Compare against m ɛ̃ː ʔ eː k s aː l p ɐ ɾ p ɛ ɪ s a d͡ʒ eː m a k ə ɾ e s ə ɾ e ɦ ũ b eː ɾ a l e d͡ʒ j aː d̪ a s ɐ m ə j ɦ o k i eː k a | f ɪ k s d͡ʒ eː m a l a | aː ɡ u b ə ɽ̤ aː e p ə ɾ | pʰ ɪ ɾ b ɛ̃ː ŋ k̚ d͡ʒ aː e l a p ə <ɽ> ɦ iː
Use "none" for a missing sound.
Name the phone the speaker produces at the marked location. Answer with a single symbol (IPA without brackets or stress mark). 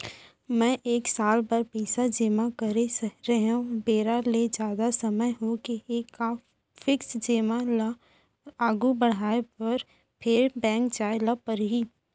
ɾ